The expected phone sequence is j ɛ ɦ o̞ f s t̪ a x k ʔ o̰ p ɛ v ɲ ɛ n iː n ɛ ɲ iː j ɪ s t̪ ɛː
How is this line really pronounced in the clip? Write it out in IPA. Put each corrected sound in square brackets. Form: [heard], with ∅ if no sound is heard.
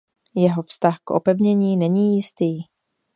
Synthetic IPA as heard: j ɛ ɦ o̞ f s t̪ a x k ʔ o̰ p ɛ v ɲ ɛ [ɲ] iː n ɛ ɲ iː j ɪ s t̪ [iː]